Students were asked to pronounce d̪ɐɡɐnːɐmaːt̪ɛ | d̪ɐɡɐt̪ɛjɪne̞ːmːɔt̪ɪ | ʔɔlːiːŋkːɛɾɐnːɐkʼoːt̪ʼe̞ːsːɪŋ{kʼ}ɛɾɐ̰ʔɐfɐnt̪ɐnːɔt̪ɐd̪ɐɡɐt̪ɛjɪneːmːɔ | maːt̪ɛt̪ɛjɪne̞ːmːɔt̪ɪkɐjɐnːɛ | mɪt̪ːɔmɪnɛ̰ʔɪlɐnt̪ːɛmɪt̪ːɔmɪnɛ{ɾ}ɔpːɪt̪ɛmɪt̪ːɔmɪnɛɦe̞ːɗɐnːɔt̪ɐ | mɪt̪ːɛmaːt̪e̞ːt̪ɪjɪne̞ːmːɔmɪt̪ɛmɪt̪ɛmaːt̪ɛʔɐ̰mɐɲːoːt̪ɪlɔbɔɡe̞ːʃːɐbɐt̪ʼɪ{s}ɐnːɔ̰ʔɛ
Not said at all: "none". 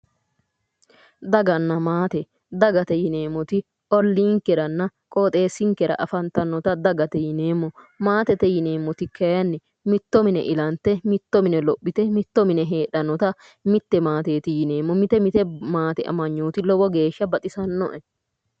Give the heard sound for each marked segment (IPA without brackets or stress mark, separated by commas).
k, l, s